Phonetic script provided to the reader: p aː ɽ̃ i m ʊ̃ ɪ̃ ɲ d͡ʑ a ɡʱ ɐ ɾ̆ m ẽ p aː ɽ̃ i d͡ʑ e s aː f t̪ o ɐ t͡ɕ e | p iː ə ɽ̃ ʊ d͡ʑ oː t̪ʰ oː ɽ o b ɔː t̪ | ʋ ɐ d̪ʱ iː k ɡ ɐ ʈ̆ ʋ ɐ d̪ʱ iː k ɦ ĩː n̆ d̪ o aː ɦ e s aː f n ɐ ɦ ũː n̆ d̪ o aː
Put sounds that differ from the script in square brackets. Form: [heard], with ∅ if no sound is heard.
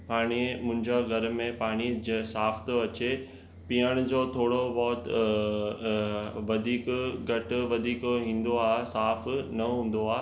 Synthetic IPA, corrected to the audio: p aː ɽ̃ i m ʊ̃ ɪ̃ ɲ d͡ʑ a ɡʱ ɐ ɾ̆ m ẽ p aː ɽ̃ i d͡ʑ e s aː f t̪ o ɐ t͡ɕ e | p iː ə ɽ̃ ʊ d͡ʑ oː t̪ʰ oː ɽ o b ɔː t̪ | ʋ ɐ d̪ʱ iː k ɡ ɐ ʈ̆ ʋ ɐ d̪ʱ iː k ɦ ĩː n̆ d̪ o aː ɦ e s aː f n ɐ ɦ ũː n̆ d̪ o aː